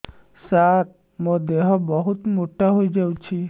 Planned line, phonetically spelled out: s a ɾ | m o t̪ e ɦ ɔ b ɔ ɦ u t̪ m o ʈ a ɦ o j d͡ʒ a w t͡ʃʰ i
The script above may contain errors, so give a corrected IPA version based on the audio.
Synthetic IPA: s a ɾ | m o d̪ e ɦ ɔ b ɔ ɦ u t̪ m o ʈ a ɦ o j d͡ʒ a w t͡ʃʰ i